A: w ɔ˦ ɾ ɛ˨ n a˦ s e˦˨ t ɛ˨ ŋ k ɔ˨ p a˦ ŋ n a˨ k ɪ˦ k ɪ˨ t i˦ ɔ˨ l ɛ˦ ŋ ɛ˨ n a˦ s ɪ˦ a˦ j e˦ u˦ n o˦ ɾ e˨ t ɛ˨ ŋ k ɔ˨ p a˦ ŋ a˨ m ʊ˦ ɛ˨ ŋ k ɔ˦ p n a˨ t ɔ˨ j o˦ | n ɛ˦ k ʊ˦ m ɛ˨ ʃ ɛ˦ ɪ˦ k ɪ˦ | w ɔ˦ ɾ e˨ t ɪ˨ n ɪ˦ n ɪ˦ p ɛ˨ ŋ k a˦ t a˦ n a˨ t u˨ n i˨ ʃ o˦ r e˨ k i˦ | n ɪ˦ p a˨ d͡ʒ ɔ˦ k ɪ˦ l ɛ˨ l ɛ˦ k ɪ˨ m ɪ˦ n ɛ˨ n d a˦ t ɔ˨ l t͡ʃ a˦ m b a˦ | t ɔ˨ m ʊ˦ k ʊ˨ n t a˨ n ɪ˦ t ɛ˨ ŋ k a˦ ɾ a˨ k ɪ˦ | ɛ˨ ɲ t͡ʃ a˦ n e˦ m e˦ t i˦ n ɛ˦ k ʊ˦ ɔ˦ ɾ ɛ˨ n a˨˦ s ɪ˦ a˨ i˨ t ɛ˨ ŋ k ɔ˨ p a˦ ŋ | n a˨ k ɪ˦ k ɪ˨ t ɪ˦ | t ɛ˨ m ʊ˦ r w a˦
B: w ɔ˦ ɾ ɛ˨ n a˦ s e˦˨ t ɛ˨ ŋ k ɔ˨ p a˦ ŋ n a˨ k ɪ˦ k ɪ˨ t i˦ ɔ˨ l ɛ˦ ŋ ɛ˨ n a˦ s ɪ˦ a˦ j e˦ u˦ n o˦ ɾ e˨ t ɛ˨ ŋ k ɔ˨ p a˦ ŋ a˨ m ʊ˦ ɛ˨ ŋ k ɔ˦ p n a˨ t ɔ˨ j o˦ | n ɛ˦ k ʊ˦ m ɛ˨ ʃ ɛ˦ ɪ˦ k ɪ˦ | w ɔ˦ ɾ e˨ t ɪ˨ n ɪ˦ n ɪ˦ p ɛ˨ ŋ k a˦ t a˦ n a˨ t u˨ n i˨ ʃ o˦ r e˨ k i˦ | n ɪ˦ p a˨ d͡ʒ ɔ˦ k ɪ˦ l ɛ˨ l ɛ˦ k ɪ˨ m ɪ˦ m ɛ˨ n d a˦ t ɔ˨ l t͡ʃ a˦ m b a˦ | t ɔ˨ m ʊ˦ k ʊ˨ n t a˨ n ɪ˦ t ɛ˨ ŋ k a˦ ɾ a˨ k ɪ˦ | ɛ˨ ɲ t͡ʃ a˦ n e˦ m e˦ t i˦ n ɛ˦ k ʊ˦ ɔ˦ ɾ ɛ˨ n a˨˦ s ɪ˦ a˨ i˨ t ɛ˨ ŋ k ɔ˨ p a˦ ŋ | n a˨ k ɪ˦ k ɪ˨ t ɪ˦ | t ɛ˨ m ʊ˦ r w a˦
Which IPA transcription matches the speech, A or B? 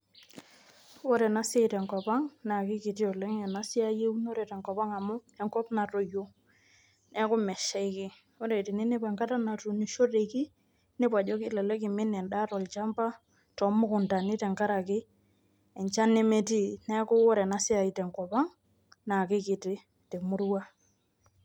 A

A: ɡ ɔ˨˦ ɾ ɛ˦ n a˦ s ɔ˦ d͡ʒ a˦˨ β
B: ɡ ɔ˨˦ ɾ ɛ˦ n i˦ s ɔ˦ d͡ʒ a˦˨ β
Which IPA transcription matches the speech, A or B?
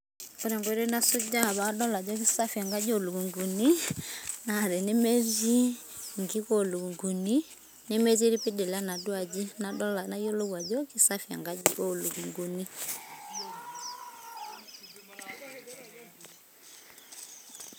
A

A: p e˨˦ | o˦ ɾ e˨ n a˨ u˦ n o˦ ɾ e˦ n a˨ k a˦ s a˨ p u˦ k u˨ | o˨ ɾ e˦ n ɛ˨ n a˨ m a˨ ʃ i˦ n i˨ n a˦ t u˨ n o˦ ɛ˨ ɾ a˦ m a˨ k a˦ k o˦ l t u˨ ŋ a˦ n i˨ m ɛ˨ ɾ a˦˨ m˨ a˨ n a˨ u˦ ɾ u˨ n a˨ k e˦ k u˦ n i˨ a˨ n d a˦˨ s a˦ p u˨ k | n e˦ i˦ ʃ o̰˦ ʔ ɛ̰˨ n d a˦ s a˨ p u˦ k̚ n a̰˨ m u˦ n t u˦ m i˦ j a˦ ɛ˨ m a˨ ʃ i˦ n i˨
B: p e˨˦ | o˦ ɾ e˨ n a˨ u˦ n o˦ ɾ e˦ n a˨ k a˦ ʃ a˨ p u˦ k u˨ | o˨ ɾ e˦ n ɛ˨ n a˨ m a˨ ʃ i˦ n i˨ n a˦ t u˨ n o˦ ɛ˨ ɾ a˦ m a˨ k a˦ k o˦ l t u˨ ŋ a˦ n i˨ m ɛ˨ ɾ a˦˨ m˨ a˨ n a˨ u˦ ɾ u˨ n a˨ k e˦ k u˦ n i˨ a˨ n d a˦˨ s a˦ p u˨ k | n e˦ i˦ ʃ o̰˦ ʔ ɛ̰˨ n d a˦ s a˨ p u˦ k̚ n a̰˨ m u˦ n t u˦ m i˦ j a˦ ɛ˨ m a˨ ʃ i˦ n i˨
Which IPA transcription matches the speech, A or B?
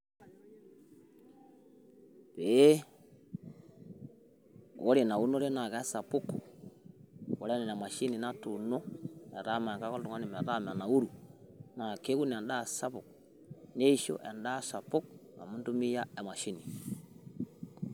A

